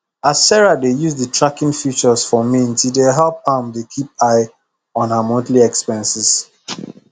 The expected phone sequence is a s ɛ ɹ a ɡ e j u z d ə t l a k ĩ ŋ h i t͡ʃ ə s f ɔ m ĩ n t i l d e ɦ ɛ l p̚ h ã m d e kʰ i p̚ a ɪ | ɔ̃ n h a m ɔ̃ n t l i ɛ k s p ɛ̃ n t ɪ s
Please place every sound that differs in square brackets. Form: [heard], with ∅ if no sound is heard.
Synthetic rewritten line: a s ɛ ɹ a [d] e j u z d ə t [ɹ] a k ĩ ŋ [f] i t͡ʃ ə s f ɔ m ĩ n t i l d e ɦ ɛ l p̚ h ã m d e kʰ i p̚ a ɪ | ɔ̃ n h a m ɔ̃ n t l i ɛ k s p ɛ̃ n [s] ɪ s

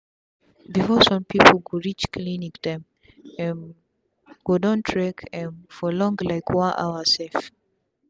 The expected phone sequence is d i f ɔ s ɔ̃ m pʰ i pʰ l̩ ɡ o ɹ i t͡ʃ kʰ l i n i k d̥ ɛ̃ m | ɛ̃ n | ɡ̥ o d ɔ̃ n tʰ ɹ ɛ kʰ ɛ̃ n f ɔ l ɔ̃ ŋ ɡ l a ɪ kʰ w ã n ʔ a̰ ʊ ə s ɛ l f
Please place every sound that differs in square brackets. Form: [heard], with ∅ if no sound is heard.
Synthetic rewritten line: [b] i f ɔ s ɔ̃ m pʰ i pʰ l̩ ɡ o ɹ i t͡ʃ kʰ l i n i k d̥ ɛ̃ m | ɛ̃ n | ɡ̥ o d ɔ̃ n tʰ ɹ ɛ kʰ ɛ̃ n f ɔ l ɔ̃ ŋ ɡ l a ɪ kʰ w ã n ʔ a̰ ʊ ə s ɛ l f

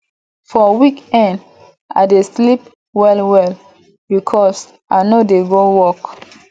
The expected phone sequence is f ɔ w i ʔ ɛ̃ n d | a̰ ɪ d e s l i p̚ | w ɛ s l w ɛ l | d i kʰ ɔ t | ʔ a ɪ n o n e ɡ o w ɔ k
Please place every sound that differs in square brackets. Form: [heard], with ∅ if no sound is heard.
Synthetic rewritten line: f ɔ w i [k] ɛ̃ n d | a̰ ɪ d e s l i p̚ | w ɛ [∅] l w ɛ l | [b] i kʰ ɔ [s] | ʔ a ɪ n o [d] e ɡ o w ɔ k

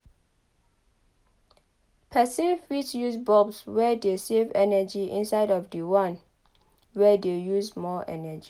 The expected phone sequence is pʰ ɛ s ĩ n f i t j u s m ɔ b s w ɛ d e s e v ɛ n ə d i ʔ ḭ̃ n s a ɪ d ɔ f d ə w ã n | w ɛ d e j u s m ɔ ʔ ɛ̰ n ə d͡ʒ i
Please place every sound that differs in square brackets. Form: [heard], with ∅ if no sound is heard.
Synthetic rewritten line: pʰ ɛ s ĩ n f i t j u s [b] ɔ b s w ɛ d e s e v ɛ n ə [d͡ʒ] i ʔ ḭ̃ n s a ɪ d ɔ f d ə w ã n | w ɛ d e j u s m ɔ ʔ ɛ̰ n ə d͡ʒ i

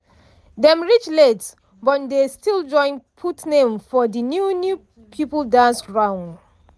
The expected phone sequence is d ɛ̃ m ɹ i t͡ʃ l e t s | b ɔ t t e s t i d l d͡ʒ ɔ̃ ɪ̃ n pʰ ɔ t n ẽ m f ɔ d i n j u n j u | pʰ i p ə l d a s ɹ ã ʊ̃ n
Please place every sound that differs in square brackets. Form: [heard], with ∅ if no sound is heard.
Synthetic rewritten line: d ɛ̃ m ɹ i t͡ʃ l e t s | b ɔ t [d] e s t i [∅] l d͡ʒ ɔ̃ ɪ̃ n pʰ [u] t n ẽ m f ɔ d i n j u n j u | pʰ i p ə l d a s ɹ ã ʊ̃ n

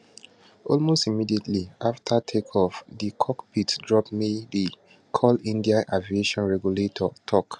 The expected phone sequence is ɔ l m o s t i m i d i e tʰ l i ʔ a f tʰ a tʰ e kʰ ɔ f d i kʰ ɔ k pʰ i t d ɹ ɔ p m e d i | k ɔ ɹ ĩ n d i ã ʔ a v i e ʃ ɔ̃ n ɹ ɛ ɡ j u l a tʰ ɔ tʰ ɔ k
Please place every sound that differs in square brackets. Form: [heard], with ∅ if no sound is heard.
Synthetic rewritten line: ɔ l m o s t i m i d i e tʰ l i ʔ a f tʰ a tʰ e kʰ ɔ f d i kʰ ɔ k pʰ i t d ɹ ɔ p m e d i | [kʰ] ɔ [l] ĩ n d i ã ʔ a v i e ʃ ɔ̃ n ɹ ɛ ɡ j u l [e] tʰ ɔ tʰ ɔ k

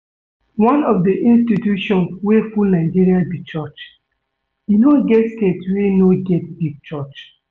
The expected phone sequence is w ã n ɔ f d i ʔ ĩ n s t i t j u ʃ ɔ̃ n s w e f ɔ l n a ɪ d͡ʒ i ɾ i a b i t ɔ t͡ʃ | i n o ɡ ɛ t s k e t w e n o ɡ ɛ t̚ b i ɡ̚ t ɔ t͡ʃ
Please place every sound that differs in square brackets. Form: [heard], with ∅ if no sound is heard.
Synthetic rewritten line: w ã n ɔ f d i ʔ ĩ n s t i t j u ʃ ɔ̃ n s w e f [u] l n a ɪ d͡ʒ i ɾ i a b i [t͡ʃ] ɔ t͡ʃ | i n o ɡ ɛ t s k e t w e n o ɡ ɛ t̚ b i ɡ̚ [t͡ʃ] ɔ t͡ʃ

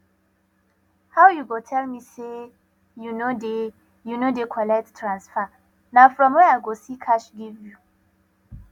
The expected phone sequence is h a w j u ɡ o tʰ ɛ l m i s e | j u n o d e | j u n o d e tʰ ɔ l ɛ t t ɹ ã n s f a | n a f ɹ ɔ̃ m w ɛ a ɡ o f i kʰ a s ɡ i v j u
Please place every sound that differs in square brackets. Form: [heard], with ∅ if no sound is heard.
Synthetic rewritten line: h a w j u ɡ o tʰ ɛ l m i s e | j u n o d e | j u n o d e [kʰ] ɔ l ɛ t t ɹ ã n s f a | n a f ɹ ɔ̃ m w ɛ a ɡ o [s] i kʰ a [ʃ] ɡ i v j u

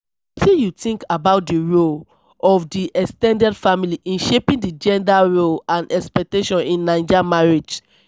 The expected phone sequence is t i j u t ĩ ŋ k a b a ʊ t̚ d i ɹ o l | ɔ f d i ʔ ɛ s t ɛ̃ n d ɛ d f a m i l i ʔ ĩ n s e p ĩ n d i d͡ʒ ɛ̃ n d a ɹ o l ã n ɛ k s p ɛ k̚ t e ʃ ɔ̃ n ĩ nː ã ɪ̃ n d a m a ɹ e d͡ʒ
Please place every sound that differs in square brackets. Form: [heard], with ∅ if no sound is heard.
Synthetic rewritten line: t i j u t ĩ ŋ k a b a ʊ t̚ d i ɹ o l | ɔ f d i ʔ ɛ s t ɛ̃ n d ɛ d f a m i l i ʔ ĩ n [ʃ] e p ĩ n d i d͡ʒ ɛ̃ n d a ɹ o l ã n ɛ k s p ɛ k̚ t e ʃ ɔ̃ n ĩ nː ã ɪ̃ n [d͡ʒ] a m a ɹ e d͡ʒ

